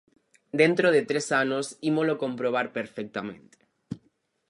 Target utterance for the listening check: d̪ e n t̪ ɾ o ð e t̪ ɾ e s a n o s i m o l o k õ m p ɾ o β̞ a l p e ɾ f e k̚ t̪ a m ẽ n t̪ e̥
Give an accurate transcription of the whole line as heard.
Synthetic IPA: d̪ e n t̪ ɾ o ð e t̪ ɾ e s a n o s i m o l o k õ m p ɾ o β̞ a ɾ p e ɾ f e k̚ t̪ a m ẽ n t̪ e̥